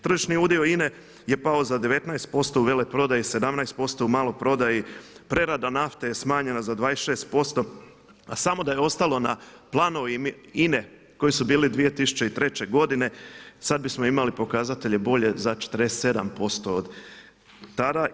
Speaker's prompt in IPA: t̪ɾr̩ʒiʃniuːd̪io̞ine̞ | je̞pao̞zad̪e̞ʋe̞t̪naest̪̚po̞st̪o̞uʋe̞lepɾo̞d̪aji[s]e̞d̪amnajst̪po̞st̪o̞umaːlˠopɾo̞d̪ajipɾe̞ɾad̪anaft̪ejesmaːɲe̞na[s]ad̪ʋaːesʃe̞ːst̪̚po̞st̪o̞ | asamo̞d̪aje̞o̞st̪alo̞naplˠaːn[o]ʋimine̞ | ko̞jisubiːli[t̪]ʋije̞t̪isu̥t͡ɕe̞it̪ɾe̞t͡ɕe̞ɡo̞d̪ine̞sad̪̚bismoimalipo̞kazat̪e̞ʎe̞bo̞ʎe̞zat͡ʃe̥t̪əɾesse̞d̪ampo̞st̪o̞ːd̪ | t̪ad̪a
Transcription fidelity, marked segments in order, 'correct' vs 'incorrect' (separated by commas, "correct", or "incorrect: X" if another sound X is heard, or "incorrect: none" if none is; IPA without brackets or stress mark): correct, incorrect: z, correct, incorrect: d̪